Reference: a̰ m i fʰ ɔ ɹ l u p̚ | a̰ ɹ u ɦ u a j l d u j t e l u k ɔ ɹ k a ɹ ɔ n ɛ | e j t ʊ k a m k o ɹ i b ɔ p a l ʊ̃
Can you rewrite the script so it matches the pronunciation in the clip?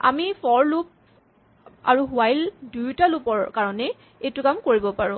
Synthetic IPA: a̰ m i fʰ ɔ ɹ l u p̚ | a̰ ɹ u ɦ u a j l d u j t a l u p ɔ ɹ k a ɹ ɔ n ɛ | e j t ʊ k a m k o ɹ i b ɔ p a ɹ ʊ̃